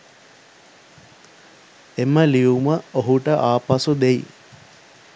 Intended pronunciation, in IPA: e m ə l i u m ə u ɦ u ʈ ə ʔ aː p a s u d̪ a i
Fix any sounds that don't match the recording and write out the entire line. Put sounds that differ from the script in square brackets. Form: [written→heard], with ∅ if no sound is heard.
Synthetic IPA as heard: e m ə l i u m ə [u→o] ɦ u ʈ ə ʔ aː p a s u d̪ [a→e] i